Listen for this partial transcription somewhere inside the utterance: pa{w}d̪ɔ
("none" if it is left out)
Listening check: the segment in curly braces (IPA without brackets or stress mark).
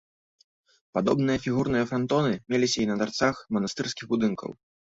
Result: none